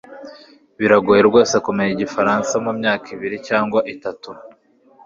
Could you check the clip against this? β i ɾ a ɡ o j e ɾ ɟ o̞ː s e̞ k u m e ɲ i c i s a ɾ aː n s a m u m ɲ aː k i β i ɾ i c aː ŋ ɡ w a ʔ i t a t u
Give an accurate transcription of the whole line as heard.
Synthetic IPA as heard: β i ɾ a ɡ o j e ɾ ɡ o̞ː s e̞ k u m e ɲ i ɟ i f a ɾ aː n s a m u m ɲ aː k i β i ɾ i c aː ŋ ɡ w a ʔ i t a t u